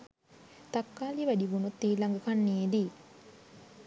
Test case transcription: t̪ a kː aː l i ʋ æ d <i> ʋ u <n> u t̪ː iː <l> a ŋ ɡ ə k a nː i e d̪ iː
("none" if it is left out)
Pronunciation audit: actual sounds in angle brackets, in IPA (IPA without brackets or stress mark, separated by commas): i, n, l